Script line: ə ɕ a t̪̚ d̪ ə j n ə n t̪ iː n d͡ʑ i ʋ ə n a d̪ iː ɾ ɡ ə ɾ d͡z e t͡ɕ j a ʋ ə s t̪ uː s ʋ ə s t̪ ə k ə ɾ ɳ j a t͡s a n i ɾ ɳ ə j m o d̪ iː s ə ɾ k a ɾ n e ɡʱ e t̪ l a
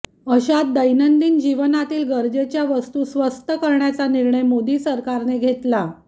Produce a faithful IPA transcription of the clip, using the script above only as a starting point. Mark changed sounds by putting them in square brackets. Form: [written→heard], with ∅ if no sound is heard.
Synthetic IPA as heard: ə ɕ a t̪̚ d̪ ə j n ə n [t̪→d̪] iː n d͡ʑ i ʋ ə n a [d̪→t̪] iː [ɾ→l] ɡ ə ɾ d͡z e t͡ɕ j a ʋ ə s t̪ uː s ʋ ə s t̪ ə k ə ɾ ɳ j a t͡s a n i ɾ ɳ ə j m o d̪ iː s ə ɾ k a ɾ n e ɡʱ e t̪ l a